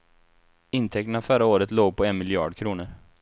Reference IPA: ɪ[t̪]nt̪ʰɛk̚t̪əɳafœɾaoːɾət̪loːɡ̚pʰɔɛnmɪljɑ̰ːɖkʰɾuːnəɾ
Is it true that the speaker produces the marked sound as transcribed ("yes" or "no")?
no